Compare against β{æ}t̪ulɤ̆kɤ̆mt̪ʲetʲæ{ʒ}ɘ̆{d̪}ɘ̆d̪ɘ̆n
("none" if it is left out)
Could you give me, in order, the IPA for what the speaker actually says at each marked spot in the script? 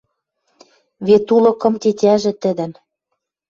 e, ʒ, t̪

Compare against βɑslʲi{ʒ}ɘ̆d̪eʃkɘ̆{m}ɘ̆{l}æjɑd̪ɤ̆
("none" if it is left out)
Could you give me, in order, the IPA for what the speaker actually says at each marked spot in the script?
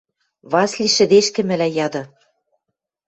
ʃ, m, l

